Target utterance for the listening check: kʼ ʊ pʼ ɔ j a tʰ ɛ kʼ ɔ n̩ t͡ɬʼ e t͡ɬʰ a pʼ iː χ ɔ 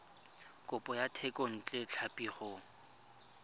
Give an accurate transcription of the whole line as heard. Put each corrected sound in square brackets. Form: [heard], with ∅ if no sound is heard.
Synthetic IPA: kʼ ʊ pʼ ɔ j a tʰ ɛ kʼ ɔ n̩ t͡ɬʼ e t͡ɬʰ a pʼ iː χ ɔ